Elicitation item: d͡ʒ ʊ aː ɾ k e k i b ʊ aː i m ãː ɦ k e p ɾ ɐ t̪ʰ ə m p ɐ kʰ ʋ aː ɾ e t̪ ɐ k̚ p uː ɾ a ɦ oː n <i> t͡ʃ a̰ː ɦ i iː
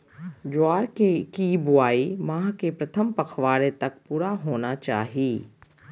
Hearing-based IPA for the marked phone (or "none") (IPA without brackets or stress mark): a